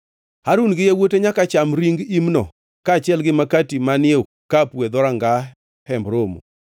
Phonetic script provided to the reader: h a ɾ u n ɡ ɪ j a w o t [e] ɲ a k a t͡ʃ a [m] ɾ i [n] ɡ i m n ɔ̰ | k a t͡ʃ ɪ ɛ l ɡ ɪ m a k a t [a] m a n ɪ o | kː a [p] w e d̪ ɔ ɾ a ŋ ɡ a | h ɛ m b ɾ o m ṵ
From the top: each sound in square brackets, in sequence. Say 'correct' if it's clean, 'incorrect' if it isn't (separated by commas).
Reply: correct, correct, incorrect, incorrect, correct